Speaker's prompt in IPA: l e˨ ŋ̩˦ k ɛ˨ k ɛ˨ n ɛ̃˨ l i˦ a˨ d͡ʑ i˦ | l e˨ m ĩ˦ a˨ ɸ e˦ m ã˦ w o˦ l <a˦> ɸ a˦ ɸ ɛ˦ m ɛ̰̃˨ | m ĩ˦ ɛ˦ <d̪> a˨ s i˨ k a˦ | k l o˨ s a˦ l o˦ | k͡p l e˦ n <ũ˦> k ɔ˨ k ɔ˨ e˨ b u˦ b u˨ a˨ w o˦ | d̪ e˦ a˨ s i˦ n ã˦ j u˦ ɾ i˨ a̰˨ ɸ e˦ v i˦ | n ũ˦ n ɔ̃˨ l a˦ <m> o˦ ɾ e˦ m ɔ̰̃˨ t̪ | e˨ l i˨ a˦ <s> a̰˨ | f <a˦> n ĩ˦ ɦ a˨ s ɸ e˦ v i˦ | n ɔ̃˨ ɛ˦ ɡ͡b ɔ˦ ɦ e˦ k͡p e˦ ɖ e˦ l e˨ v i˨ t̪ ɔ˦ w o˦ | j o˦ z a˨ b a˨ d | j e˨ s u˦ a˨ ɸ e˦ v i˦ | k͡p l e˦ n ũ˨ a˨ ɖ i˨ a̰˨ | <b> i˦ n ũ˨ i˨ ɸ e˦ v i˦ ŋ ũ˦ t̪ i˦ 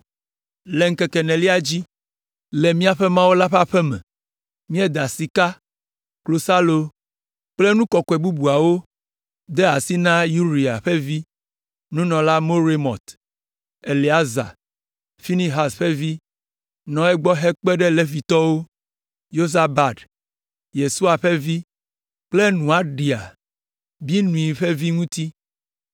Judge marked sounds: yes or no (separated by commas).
yes, yes, yes, yes, no, no, yes